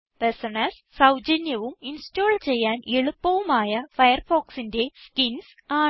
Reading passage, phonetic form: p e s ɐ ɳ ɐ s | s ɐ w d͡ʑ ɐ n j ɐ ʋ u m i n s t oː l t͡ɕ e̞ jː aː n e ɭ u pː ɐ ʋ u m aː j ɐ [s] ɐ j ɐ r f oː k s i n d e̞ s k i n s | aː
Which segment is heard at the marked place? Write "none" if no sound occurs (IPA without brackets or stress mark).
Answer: f